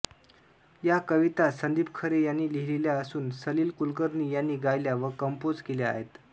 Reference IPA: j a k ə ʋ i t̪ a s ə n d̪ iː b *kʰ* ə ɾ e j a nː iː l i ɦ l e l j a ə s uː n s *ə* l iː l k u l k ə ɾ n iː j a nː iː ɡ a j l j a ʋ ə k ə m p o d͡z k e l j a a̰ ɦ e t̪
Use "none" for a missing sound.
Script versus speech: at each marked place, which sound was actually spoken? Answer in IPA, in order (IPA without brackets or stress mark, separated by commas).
kʰ, ə